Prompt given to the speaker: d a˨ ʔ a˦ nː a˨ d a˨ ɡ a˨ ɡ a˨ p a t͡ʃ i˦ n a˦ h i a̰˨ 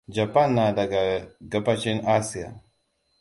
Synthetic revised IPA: d͡ʒ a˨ p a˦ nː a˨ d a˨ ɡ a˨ ɡ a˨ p a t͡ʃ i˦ n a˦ s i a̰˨